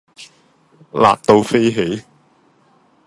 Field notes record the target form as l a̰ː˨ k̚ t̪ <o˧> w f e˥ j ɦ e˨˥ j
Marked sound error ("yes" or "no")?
no